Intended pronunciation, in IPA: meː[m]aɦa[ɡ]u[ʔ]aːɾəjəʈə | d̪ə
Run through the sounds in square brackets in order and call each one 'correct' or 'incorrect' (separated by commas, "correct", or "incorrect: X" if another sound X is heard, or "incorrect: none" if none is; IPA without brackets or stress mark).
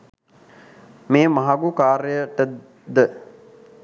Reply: correct, correct, incorrect: k